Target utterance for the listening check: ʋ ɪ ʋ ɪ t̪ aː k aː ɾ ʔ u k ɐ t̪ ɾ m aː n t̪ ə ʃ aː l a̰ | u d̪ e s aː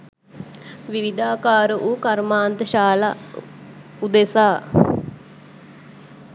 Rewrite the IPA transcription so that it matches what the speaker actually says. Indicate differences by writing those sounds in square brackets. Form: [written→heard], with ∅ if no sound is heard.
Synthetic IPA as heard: ʋ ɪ ʋ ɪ [t̪→d̪] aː k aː ɾ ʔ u k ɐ [t̪→∅] ɾ m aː n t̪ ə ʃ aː l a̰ | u d̪ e s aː